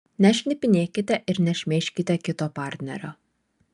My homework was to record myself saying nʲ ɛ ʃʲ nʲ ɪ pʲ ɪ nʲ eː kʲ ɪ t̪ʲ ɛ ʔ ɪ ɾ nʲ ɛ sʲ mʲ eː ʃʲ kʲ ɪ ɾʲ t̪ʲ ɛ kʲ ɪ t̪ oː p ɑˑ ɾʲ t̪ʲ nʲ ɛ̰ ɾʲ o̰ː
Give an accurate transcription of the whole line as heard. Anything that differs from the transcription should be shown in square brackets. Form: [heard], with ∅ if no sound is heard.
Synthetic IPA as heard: nʲ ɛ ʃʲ nʲ ɪ pʲ ɪ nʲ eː kʲ ɪ t̪ʲ ɛ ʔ ɪ ɾ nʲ ɛ [ʃʲ] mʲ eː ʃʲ kʲ ɪ [∅] t̪ʲ ɛ kʲ ɪ t̪ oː p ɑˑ ɾʲ t̪ʲ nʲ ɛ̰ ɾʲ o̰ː